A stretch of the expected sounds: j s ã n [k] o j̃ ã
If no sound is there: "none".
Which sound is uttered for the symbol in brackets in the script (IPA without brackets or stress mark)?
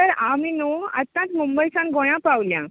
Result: ɡ